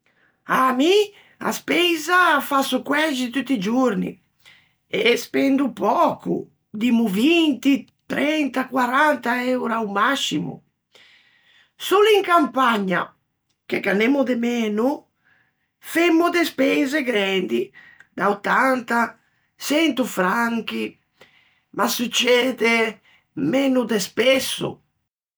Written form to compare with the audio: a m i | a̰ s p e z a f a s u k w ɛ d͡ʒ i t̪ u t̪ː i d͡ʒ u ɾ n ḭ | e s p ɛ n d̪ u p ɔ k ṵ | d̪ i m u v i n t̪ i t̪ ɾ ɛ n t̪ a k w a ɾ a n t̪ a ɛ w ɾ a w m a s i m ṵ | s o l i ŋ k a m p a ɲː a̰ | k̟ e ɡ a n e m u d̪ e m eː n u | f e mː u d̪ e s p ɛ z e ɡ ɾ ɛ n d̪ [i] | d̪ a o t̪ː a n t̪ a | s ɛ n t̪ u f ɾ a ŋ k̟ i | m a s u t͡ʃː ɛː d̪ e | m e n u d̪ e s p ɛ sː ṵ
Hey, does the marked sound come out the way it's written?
yes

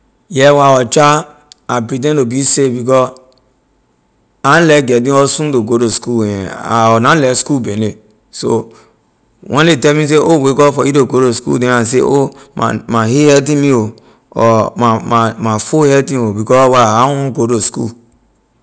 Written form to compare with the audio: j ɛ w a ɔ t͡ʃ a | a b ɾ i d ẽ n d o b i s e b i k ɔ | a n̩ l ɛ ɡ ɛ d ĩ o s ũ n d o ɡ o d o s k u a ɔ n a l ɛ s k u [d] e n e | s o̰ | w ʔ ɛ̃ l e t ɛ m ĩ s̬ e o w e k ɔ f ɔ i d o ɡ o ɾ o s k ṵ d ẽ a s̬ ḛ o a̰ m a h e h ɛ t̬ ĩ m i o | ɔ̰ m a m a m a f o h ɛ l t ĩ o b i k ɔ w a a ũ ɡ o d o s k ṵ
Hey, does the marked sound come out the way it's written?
no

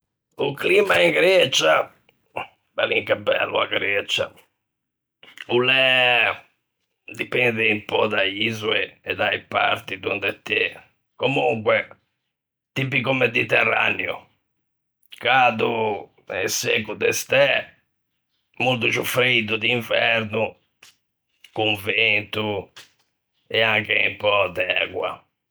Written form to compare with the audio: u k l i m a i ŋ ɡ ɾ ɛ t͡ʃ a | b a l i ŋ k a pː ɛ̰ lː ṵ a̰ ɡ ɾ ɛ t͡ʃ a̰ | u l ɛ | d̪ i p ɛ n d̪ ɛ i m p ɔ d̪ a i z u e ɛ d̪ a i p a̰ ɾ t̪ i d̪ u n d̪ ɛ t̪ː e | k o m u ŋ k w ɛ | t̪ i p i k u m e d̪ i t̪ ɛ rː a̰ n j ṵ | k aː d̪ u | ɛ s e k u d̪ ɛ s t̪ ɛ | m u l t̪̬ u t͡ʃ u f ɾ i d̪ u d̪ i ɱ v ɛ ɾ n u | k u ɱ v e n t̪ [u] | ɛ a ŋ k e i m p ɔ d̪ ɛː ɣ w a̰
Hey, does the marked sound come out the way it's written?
yes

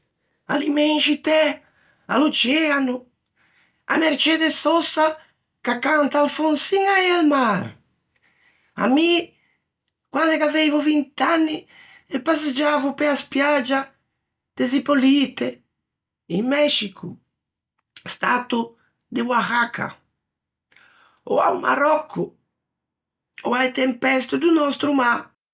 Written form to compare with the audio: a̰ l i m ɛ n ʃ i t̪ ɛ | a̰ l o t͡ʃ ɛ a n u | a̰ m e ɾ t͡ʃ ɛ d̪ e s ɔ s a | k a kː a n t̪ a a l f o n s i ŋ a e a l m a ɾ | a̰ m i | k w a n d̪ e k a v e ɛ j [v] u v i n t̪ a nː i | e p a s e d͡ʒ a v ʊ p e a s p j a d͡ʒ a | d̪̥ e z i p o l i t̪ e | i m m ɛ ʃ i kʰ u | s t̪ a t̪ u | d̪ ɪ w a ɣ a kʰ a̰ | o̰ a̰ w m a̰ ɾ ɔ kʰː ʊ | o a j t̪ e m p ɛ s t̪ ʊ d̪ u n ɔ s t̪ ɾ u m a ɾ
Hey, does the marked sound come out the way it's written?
yes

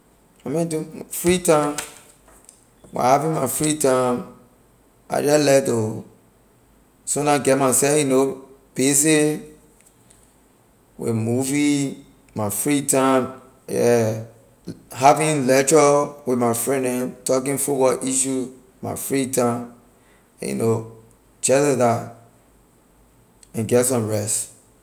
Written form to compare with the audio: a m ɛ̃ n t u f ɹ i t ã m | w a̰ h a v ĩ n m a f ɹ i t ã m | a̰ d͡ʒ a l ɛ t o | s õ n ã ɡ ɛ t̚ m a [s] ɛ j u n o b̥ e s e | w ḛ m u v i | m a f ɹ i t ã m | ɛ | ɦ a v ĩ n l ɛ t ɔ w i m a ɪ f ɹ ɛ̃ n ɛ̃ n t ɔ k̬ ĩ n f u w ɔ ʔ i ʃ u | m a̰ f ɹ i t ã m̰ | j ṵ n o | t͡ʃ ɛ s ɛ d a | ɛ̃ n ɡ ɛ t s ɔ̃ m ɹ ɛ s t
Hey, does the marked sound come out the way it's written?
yes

